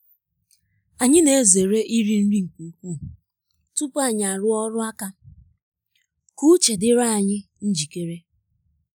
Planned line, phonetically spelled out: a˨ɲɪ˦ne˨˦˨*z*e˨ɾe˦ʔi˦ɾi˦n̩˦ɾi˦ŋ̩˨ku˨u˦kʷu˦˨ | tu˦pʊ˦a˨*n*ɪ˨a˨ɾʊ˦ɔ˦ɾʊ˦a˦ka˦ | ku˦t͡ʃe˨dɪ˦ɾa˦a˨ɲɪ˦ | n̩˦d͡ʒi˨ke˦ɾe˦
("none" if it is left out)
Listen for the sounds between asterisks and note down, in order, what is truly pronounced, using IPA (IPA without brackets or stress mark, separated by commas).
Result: z, ɲ